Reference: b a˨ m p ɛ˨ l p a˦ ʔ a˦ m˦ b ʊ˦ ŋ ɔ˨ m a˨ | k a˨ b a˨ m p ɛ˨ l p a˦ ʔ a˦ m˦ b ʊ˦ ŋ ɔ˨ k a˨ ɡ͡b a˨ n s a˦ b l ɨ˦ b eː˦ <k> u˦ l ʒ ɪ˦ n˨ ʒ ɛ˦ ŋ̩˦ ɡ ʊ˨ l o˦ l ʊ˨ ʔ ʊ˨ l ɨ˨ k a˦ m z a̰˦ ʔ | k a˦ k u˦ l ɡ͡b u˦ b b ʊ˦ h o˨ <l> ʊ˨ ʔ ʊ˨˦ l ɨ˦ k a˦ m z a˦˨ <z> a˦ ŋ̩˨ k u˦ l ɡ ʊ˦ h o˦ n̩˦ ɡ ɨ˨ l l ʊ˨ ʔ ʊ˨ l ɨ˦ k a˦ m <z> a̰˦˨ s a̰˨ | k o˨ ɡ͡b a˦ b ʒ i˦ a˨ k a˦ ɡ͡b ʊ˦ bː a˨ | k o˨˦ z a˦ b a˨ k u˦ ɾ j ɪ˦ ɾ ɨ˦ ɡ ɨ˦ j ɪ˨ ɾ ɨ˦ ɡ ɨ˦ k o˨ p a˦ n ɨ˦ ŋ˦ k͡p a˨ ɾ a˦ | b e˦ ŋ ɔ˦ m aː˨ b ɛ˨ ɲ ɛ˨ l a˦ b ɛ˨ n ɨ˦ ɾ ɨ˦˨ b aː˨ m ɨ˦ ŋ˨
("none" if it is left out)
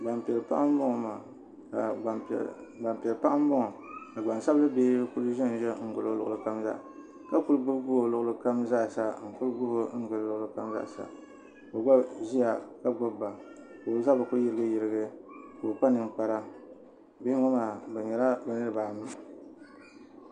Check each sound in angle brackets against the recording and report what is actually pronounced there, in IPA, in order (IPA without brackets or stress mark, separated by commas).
k, l, s, z